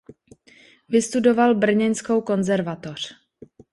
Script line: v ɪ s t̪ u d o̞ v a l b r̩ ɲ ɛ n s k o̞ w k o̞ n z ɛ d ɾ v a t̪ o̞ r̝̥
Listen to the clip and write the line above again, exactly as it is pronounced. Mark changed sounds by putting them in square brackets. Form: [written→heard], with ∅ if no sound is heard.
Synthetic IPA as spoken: v ɪ s t̪ u d o̞ v a l b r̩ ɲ ɛ n s k o̞ w k o̞ n z ɛ [d→∅] ɾ v a t̪ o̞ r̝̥